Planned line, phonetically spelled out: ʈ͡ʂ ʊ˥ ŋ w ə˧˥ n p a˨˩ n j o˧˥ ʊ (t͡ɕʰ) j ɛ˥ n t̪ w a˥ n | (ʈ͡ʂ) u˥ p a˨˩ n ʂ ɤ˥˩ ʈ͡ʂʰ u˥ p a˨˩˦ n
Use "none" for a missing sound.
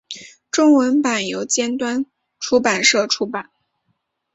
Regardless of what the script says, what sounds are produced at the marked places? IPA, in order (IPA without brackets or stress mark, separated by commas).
t͡ɕ, ʈ͡ʂʰ